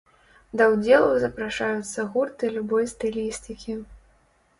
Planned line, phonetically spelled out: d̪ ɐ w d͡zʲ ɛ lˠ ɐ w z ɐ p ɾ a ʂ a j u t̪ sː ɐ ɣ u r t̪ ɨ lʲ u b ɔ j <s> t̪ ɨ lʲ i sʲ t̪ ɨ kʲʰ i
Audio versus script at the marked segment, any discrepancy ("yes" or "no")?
no